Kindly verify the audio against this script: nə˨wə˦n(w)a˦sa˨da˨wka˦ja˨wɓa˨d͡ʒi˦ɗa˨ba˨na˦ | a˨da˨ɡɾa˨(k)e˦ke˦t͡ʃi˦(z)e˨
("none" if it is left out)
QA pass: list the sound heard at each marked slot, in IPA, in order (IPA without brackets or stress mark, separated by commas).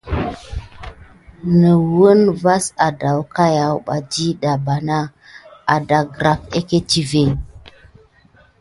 v, k, v